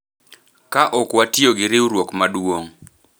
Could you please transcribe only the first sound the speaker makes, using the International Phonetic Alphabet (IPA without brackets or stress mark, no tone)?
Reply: k